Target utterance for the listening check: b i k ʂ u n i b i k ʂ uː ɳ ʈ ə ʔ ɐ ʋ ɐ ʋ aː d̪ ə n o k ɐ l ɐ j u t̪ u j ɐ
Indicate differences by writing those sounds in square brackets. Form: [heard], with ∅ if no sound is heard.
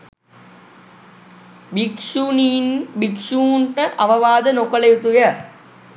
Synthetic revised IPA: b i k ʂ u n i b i k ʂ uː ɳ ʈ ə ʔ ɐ ʋ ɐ ʋ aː d̪ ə n o k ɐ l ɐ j u t̪ u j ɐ